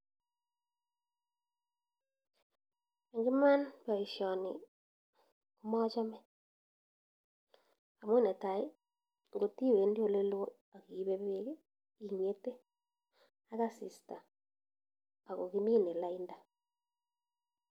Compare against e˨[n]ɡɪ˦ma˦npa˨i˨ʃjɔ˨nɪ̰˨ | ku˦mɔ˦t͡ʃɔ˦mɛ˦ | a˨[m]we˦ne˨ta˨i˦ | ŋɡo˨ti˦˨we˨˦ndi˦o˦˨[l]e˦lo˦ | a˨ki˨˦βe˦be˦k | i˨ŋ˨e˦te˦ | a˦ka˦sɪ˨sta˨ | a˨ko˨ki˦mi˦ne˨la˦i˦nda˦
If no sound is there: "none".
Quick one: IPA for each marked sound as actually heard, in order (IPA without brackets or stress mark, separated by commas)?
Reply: ŋ, m, l